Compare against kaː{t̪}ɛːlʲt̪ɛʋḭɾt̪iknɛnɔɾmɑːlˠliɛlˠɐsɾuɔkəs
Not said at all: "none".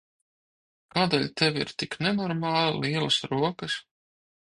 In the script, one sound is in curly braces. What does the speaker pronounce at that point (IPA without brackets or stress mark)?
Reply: d̪